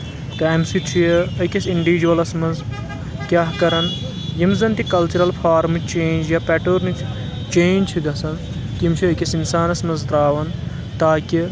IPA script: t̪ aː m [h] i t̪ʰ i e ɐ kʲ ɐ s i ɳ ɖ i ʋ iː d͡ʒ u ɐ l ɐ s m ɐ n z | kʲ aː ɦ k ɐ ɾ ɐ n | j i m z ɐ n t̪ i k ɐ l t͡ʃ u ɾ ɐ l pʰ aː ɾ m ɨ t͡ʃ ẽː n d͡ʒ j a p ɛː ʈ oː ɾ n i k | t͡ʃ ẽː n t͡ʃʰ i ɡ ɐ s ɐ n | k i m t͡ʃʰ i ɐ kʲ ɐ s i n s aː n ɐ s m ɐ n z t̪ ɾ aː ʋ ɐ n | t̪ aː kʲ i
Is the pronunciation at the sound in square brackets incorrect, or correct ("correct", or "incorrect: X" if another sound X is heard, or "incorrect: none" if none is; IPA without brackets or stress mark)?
incorrect: s